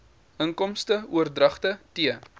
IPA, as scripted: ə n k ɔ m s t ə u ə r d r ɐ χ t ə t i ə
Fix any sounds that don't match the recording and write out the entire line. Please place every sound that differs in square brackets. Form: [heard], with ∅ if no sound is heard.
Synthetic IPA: ə [ŋ] k ɔ m s t ə u ə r d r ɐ χ t ə t i ə